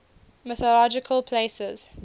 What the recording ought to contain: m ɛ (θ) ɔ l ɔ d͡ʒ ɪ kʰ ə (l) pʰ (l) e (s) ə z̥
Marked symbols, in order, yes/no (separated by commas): yes, yes, yes, yes